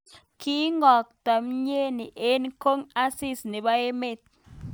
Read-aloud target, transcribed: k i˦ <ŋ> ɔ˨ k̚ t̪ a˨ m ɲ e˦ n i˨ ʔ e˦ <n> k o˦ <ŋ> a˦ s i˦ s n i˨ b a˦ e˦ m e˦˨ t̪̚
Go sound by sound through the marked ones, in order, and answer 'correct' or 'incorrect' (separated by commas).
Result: correct, correct, correct